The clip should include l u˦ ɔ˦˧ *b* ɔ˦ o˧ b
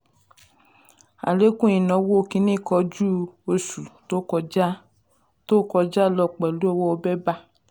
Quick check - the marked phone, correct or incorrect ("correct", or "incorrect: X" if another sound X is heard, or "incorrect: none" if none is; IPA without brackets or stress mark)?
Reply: incorrect: w